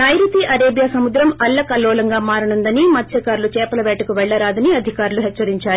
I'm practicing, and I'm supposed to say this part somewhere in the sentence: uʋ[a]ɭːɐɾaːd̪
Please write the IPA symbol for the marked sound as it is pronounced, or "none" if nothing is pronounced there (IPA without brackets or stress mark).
ɛ